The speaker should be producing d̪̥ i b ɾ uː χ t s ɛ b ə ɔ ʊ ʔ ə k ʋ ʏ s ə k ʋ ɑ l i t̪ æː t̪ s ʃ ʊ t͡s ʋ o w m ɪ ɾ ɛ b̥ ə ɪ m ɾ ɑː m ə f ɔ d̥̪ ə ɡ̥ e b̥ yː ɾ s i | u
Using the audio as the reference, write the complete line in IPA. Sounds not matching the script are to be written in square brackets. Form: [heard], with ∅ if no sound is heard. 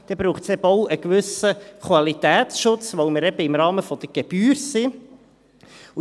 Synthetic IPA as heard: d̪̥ [ɛ] b ɾ uː χ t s ɛ b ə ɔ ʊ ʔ ə k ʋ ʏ s ə k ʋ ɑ l i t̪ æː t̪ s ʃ ʊ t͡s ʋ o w m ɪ ɾ ɛ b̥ ə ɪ m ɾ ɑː m ə f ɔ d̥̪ ə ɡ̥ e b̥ yː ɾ s i | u